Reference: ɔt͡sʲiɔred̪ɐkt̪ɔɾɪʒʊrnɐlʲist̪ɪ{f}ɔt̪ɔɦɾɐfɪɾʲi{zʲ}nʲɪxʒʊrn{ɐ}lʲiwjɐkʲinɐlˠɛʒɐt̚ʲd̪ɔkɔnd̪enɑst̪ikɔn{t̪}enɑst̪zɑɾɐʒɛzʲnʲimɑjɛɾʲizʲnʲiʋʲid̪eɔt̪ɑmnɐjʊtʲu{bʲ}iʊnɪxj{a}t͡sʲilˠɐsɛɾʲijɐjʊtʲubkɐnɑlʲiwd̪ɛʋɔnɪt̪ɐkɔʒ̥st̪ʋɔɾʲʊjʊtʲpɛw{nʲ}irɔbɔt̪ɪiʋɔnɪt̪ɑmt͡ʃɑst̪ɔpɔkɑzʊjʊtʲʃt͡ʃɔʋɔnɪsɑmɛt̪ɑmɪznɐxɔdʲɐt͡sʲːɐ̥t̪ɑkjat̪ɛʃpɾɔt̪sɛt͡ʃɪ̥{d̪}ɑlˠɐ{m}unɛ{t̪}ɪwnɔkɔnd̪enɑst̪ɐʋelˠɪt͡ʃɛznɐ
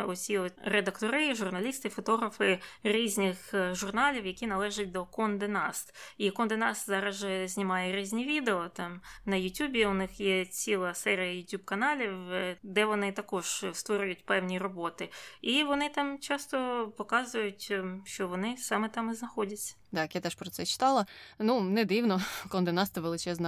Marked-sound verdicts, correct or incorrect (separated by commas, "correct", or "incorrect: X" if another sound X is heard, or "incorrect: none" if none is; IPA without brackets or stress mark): correct, correct, incorrect: ɑ, incorrect: d̪, correct, incorrect: ɛ, correct, incorrect: t̪, incorrect: n, incorrect: d̪